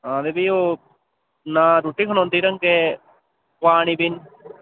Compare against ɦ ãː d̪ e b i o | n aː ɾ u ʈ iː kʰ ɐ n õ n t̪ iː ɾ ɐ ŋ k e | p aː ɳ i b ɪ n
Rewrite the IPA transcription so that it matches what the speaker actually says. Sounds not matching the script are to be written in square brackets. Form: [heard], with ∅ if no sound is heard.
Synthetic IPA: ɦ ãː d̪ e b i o | n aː ɾ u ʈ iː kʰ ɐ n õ n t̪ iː ɾ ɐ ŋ k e | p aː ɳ i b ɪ n